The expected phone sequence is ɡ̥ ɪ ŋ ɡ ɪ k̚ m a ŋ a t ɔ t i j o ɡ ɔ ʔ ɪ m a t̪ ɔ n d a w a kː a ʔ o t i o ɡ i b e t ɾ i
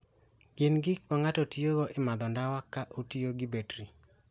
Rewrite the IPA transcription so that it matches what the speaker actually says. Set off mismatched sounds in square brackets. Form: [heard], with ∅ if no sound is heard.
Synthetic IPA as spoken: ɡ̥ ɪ [n] ɡ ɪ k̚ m a ŋ a t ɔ t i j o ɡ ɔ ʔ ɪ m a [d̪] ɔ n d a w a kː a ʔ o t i o ɡ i b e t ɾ i